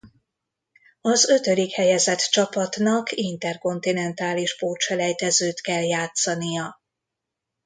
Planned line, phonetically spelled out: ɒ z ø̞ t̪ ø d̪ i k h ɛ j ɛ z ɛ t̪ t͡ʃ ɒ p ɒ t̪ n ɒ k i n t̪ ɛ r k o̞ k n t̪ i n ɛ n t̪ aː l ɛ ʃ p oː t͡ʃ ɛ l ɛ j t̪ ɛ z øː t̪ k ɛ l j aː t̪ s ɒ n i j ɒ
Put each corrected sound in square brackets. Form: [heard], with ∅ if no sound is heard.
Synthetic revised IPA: ɒ z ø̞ t̪ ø d̪ i k h ɛ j ɛ z ɛ t̪ t͡ʃ ɒ p ɒ t̪ n ɒ k i n t̪ ɛ r k o̞ [∅] n t̪ i n ɛ n t̪ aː l [i] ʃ p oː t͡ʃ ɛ l ɛ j t̪ ɛ z øː t̪ k ɛ l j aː t̪ s ɒ n i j ɒ

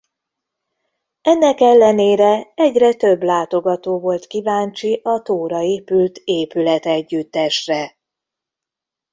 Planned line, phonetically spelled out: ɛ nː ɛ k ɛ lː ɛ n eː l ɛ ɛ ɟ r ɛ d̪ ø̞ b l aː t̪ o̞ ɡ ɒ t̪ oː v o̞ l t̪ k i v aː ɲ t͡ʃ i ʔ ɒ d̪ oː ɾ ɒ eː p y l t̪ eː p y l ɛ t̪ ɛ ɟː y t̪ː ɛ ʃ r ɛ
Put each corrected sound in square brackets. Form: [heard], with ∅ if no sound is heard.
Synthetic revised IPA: ɛ nː ɛ k ɛ lː ɛ n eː [ɾ] ɛ ɛ ɟ r ɛ [t̪] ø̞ b l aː t̪ o̞ ɡ ɒ t̪ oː v o̞ l t̪ k i v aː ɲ t͡ʃ i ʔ ɒ [t̪] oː ɾ ɒ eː p y l t̪ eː p y l ɛ t̪ ɛ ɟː y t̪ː ɛ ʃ r ɛ

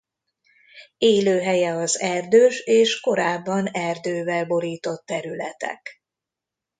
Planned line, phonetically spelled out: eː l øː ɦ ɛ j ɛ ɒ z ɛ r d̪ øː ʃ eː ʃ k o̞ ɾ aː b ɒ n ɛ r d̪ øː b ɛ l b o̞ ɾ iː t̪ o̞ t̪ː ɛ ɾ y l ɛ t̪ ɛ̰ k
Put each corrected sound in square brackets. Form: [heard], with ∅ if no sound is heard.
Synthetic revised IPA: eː l øː ɦ ɛ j ɛ ɒ z ɛ r d̪ øː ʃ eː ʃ k o̞ ɾ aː [bː] ɒ n ɛ r d̪ øː [v] ɛ l b o̞ ɾ iː t̪ o̞ t̪ː ɛ ɾ y l ɛ t̪ ɛ̰ k

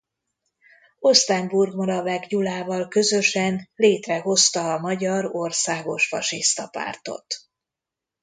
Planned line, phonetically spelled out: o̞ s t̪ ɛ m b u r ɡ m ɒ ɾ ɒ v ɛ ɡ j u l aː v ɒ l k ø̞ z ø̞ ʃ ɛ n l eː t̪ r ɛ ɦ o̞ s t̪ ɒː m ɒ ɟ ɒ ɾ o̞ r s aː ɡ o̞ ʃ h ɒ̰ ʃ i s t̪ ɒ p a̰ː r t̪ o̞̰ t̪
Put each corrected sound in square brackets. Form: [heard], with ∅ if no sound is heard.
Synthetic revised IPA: o̞ s t̪ ɛ m b u r ɡ m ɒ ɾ ɒ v ɛ ɡ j u l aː v ɒ l k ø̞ z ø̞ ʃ ɛ n l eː t̪ r ɛ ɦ o̞ s t̪ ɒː m ɒ ɟ ɒ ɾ o̞ r s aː ɡ o̞ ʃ [f] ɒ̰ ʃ i s t̪ ɒ p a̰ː r t̪ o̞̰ t̪

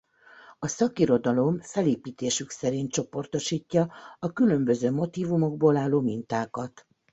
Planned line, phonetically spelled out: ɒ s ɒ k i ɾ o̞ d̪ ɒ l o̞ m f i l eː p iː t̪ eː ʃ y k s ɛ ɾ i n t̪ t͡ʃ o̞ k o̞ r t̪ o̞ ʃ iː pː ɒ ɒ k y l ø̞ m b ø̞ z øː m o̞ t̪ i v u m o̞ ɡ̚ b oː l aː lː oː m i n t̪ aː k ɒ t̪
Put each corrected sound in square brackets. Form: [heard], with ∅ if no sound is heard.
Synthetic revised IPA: ɒ s ɒ k i ɾ o̞ d̪ ɒ l o̞ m f [ɛ] l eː p iː t̪ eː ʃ y k s ɛ ɾ i n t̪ t͡ʃ o̞ [p] o̞ r t̪ o̞ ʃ iː [cː] ɒ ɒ k y l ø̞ m b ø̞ z øː m o̞ t̪ [iː] v u m o̞ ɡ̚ b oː l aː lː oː m i n t̪ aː k ɒ t̪

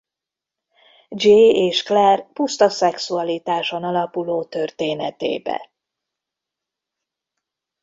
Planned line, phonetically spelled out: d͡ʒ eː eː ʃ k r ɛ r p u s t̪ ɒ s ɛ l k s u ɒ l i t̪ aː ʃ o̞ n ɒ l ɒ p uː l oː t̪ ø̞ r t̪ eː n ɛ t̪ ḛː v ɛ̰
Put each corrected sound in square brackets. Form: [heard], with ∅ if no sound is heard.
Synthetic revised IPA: d͡ʒ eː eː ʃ k [l] ɛ r p u s t̪ ɒ s ɛ [∅] k s u ɒ l i t̪ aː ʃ o̞ n ɒ l ɒ p [u] l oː t̪ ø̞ r t̪ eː n ɛ t̪ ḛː [b] ɛ̰

